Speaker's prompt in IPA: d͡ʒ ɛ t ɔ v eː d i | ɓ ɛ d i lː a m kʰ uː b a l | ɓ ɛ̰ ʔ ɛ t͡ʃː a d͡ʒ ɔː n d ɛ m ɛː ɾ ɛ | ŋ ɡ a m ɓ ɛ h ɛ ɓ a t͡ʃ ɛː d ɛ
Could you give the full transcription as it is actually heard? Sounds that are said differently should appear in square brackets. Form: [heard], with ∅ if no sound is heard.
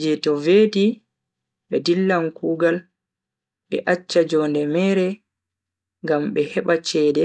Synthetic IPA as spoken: d͡ʒ ɛ t ɔ v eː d i | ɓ ɛ d i lː a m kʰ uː [ɡ] a l | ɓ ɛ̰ ʔ [a] t͡ʃː a d͡ʒ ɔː n d ɛ m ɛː ɾ ɛ | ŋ ɡ a m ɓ ɛ h ɛ ɓ a t͡ʃ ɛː d ɛ